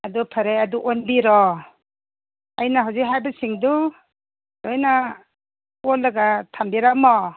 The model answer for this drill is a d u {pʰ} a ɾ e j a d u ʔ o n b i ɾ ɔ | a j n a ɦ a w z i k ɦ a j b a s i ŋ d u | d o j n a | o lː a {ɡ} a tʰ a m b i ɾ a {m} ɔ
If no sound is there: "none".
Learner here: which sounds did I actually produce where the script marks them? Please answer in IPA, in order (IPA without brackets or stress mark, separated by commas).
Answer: pʰ, ɡ, m